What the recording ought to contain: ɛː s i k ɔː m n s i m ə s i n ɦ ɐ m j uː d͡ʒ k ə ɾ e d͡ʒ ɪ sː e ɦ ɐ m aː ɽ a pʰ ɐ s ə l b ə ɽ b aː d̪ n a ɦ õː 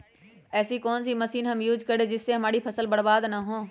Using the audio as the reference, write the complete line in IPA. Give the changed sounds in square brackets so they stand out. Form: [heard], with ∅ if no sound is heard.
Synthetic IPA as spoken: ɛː s i k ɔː [∅] n s i m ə s [iː] n ɦ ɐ m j uː d͡ʒ k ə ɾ e d͡ʒ ɪ sː e ɦ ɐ m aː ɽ [i] pʰ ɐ s ə l b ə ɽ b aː d̪ n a ɦ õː